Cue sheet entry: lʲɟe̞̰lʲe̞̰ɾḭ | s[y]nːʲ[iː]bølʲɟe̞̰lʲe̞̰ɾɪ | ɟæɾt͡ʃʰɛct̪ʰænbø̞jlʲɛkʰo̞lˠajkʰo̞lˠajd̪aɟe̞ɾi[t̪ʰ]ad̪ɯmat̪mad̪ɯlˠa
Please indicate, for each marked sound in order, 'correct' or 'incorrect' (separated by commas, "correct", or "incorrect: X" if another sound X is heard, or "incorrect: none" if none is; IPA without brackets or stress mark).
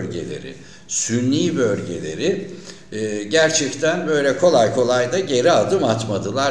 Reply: correct, correct, incorrect: none